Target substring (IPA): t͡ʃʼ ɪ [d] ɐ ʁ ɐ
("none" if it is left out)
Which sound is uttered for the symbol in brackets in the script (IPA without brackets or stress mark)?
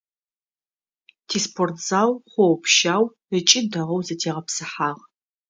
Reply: d